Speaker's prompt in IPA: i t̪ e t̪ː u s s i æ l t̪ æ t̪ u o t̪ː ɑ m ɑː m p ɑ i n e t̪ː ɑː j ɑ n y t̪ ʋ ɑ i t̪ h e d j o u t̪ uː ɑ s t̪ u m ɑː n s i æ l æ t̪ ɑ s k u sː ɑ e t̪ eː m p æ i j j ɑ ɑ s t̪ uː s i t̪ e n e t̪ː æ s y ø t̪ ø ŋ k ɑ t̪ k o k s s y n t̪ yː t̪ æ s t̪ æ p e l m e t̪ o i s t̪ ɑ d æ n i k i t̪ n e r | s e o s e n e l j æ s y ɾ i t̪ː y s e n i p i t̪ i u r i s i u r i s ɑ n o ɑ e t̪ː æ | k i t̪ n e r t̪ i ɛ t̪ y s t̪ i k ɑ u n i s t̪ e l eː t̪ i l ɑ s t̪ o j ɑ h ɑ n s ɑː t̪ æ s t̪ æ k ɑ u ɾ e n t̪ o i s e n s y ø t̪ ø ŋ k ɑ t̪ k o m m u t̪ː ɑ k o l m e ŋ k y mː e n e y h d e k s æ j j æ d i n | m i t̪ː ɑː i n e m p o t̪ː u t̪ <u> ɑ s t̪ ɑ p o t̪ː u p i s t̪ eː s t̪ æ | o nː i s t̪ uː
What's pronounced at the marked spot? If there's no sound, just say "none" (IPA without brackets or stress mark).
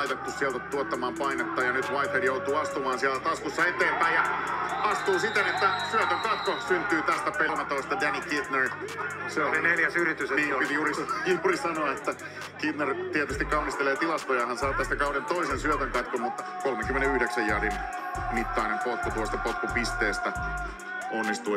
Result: u